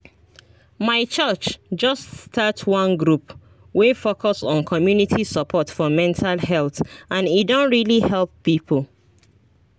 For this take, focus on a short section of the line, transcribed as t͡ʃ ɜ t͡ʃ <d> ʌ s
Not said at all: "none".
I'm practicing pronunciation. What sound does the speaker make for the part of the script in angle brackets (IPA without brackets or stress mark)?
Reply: d͡ʒ